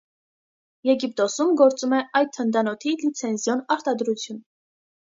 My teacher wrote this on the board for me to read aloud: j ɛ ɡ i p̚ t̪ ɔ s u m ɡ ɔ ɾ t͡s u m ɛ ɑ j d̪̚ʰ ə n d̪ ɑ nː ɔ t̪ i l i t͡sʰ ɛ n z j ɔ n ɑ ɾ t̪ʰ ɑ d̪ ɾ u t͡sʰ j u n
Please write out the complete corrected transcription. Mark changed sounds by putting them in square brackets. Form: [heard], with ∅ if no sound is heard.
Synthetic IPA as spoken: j ɛ ɡ i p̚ t̪ ɔ s u m ɡ ɔ ɾ t͡s u m ɛ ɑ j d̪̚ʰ ə n d̪ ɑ [n] ɔ [t̪ʰ] i l i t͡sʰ ɛ n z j ɔ n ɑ ɾ [t̪] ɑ d̪ ɾ u t͡sʰ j u n